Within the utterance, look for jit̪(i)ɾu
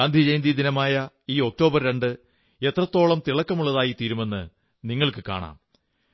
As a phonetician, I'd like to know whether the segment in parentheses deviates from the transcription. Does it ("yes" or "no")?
yes